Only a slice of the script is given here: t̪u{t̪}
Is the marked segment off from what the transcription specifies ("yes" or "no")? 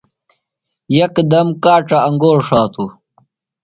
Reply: yes